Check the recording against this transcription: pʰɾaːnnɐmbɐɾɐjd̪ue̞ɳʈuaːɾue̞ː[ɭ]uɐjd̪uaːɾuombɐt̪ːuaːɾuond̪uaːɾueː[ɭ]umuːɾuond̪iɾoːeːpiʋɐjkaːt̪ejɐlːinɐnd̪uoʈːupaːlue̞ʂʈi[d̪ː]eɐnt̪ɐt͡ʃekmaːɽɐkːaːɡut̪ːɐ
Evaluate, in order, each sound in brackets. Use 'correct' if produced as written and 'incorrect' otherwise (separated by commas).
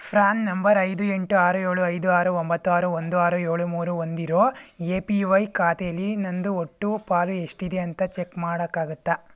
correct, correct, incorrect